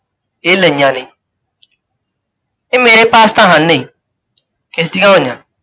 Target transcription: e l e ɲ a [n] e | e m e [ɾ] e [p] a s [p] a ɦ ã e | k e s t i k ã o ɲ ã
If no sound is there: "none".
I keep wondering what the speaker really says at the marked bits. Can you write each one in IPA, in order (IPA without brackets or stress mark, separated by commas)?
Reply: n, ɾ, p, t